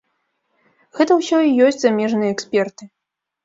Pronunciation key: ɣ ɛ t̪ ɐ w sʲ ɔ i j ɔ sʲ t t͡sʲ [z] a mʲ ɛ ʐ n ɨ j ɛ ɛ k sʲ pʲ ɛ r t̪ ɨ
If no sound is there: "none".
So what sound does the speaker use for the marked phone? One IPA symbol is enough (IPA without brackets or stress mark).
z